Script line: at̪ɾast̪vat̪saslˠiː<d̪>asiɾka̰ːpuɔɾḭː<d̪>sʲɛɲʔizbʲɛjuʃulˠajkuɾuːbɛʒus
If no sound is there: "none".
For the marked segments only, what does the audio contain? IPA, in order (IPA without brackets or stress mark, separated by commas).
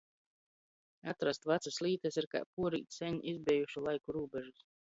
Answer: t̪, t̪